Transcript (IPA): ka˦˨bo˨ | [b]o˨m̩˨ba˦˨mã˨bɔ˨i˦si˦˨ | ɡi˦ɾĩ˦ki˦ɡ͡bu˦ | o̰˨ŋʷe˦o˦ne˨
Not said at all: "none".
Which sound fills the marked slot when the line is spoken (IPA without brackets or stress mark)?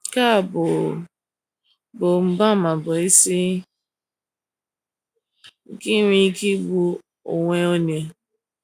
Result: b